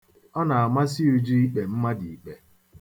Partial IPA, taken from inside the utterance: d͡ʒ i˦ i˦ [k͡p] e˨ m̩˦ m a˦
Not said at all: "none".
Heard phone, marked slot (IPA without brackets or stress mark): k͡p